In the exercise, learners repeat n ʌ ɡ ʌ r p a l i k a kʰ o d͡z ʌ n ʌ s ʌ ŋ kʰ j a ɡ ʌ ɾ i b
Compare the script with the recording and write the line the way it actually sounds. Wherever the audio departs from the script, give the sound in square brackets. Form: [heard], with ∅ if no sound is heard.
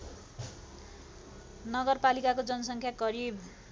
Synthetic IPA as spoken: n ʌ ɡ ʌ r p a l i k a [k] o d͡z ʌ n ʌ s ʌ ŋ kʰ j a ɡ ʌ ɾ i b